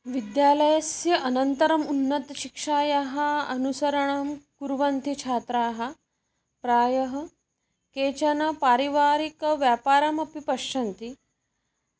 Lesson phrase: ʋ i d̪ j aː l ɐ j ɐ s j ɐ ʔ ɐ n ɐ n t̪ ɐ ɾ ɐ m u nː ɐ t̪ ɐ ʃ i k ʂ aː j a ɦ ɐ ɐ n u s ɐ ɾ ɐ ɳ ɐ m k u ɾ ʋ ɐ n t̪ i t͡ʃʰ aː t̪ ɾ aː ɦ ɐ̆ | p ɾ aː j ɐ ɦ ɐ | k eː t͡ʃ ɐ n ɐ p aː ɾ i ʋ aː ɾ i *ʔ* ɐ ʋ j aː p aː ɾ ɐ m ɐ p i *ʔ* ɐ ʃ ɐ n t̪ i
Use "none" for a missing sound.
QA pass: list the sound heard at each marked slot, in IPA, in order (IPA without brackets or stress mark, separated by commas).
k, p